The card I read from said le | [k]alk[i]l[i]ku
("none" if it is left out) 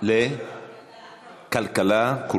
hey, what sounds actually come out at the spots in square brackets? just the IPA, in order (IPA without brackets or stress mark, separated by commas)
k, a, a